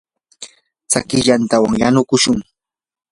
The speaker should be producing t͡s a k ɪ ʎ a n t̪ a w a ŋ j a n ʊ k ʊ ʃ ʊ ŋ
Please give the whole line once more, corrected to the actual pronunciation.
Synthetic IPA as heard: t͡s a k ɪ ʎ a n t̪ a w a ŋ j a n ʊ k ʊ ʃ ʊ ŋ